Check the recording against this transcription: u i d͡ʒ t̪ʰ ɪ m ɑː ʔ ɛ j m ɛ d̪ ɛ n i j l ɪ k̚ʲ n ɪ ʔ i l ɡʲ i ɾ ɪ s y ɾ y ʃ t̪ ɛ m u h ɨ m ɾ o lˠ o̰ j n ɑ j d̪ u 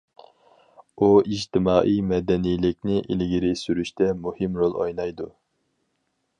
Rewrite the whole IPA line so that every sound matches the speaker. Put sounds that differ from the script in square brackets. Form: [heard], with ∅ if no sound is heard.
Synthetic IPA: u i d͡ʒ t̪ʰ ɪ m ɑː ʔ [i] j m ɛ d̪ ɛ n i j l ɪ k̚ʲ n ɪ ʔ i l ɡʲ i ɾ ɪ s y ɾ y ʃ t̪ ɛ m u h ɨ m ɾ o lˠ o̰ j n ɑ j d̪ u